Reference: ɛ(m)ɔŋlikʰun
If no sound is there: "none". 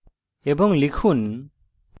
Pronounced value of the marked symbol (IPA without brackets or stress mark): b